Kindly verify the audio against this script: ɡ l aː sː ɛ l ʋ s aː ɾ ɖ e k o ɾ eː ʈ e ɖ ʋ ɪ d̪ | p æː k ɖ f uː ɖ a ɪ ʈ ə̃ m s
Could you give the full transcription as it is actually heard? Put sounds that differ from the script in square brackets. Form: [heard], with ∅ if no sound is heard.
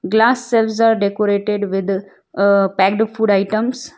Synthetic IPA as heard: ɡ l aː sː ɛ l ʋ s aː ɾ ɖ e k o ɾ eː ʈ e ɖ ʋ ɪ d̪ | p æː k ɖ f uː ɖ a ɪ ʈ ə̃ m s